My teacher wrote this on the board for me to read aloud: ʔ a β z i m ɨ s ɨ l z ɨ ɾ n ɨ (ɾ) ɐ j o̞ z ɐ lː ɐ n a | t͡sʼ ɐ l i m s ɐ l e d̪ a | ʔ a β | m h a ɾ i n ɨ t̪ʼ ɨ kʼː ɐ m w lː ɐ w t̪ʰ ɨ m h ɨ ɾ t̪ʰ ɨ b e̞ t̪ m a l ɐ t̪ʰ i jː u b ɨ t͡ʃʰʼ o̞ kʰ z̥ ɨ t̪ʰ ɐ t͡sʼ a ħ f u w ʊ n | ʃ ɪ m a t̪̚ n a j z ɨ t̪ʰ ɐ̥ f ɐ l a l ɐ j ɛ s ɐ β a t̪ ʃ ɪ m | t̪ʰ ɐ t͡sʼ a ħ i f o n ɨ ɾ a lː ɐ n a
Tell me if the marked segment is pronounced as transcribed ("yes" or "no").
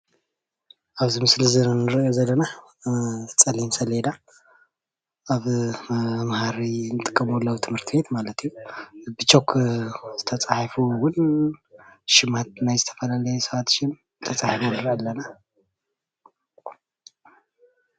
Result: yes